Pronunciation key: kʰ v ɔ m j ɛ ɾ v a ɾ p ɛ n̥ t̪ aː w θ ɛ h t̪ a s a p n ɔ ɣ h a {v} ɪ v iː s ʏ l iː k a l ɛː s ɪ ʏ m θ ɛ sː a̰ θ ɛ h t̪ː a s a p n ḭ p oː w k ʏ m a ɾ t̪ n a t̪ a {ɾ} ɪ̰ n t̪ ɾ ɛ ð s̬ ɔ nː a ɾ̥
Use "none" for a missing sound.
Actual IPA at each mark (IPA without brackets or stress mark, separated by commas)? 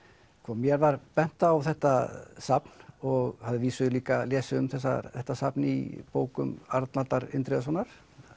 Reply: ð, ɾ